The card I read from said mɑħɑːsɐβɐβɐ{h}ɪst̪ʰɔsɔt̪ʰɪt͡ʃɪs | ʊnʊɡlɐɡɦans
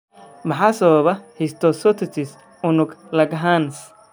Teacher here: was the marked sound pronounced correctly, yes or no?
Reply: yes